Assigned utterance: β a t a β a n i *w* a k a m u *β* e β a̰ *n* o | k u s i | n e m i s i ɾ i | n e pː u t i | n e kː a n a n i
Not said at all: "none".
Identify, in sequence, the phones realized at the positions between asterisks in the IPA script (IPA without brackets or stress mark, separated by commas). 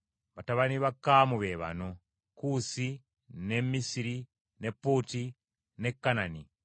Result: β, β, n